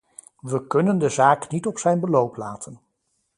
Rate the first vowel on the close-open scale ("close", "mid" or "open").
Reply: mid